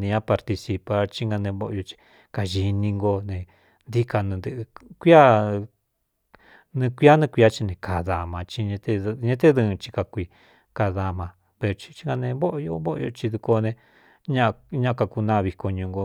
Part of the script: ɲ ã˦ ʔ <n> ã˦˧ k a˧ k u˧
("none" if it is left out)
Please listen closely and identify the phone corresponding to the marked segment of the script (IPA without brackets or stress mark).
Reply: ɲ